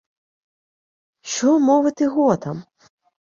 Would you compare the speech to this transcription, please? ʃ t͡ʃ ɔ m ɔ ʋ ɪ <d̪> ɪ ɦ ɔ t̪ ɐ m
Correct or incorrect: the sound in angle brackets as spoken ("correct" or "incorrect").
incorrect